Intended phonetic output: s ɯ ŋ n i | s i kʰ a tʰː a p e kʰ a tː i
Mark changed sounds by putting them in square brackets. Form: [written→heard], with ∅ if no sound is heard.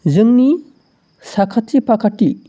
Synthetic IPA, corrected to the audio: [s→z] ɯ ŋ n i | s [i→a] kʰ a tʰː [a→i] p [e→a] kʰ a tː i